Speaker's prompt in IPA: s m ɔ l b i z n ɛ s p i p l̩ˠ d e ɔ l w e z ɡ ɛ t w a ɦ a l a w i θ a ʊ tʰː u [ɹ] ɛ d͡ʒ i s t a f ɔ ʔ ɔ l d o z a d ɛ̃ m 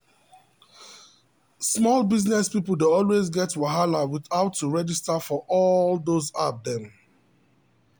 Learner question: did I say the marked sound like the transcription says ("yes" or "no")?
yes